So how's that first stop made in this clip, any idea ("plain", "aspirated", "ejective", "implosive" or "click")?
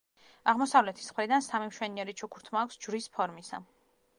aspirated